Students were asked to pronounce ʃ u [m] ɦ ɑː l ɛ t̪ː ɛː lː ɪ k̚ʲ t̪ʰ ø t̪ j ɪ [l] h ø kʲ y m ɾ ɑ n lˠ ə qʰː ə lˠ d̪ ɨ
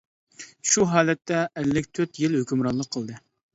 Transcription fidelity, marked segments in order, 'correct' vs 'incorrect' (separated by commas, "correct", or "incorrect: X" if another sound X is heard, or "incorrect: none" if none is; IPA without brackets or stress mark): incorrect: none, correct